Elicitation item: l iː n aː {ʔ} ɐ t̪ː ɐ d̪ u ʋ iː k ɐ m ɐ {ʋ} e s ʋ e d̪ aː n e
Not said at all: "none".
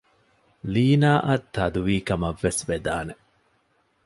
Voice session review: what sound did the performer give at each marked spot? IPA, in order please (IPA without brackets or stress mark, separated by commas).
ʔ, ʋː